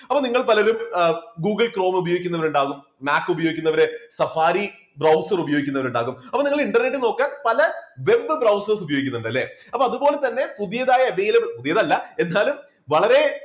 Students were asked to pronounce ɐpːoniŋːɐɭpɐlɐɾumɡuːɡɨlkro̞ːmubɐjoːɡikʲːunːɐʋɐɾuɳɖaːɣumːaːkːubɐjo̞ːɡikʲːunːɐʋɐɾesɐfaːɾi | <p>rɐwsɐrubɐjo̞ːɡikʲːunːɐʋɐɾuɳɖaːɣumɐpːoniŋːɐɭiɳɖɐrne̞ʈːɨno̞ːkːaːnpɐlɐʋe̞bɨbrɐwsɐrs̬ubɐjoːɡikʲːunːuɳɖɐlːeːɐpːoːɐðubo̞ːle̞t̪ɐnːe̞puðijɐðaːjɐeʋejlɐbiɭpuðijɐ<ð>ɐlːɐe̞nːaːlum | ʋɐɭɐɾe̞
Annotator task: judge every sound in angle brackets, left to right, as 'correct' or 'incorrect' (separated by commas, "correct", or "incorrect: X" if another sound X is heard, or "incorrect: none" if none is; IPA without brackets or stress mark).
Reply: incorrect: b, correct